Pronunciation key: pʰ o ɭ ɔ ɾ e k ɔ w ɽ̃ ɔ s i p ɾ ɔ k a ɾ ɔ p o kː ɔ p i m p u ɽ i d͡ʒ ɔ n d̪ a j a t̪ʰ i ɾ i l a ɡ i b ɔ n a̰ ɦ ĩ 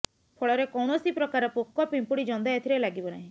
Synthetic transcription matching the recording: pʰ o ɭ ɔ ɾ e k ɔ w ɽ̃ ɔ s i p ɾ ɔ k a ɾ ɔ p o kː ɔ p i m p u ɽ i d͡ʒ ɔ n d̪ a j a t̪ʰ i ɾ e l a ɡ i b ɔ n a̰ ɦ ĩ